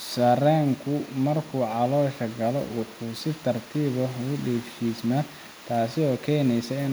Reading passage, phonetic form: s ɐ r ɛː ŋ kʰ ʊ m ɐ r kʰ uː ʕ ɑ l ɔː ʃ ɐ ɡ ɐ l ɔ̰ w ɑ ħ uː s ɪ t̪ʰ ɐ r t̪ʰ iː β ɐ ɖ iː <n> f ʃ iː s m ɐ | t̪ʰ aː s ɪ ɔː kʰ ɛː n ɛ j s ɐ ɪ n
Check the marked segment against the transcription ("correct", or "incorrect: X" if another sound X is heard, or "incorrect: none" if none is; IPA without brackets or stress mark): incorrect: none